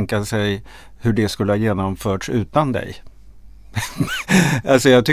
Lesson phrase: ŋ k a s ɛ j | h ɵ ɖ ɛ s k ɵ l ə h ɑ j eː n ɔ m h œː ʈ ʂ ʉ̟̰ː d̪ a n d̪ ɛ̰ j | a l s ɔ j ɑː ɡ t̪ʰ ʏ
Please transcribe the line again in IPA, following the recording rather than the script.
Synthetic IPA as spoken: ŋ k a s ɛ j | h ɵ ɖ ɛ s k ɵ l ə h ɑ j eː n ɔ m f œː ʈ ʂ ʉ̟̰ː t̪ a n d̪ ɛ̰ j | a l s ɔ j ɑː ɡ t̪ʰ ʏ